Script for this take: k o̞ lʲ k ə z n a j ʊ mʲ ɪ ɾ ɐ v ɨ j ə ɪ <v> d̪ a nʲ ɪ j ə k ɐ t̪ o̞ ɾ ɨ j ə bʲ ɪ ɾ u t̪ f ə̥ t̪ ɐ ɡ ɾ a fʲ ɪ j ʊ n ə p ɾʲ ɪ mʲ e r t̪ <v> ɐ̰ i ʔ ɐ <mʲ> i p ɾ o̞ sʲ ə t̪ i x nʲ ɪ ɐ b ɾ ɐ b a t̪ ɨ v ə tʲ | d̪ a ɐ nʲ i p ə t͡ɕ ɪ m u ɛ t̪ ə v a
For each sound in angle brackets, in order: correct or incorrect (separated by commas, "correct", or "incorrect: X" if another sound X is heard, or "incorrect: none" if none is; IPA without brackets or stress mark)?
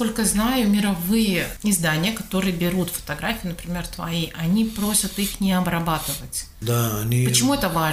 incorrect: z, correct, incorrect: nʲ